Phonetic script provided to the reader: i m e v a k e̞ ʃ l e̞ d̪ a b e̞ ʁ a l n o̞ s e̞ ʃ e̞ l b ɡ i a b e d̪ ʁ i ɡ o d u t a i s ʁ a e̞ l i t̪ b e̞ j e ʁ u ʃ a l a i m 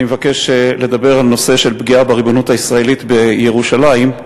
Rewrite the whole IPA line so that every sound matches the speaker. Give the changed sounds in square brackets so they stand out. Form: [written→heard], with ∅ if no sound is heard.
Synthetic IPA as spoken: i m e v a k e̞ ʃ l e̞ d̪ a b e̞ ʁ a l n o̞ s e̞ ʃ e̞ l b ɡ i a b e [d̪→∅] ʁ i [ɡ→b] o [d→n] u t a i s ʁ a e̞ l i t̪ b e̞ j e ʁ u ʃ a l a i m